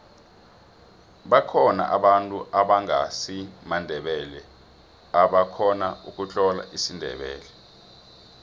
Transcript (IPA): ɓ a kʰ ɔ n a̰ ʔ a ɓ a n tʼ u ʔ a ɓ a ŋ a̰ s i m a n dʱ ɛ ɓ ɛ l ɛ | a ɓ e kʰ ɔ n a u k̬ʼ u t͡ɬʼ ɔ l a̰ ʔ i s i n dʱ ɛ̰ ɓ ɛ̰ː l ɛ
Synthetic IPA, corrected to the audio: ɓ a kʰ ɔ n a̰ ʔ a ɓ a n tʼ u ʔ a ɓ a ŋ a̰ s i m a n dʱ ɛ ɓ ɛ l ɛ | a ɓ a kʰ ɔ n a u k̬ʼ u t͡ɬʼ ɔ l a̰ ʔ i s i n dʱ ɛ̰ ɓ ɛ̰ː l ɛ